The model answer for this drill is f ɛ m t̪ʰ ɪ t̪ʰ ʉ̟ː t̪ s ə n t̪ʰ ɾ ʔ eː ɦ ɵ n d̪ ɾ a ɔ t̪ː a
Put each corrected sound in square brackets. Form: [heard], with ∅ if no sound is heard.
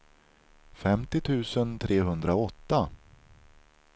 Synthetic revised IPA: f ɛ m [t̪] ɪ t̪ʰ ʉ̟ː [∅] s ə n t̪ʰ ɾ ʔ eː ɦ ɵ n d̪ ɾ a ɔ t̪ː a